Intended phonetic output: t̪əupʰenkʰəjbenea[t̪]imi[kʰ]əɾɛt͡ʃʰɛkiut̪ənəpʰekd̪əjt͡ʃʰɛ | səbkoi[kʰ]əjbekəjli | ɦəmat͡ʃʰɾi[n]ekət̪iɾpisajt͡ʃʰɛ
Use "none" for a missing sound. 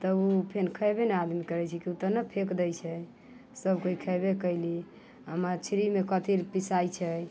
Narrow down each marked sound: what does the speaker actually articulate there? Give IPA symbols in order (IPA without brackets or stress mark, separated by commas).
d̪, k, kʰ, m